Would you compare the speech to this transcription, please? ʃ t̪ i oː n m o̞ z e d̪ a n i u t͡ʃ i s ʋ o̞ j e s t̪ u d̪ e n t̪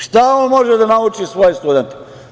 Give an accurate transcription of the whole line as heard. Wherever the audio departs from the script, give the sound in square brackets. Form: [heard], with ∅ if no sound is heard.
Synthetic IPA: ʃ t̪ [a] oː n m o̞ [ʒ] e d̪ a n [a] u t͡ʃ i s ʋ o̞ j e s t̪ u d̪ e n t̪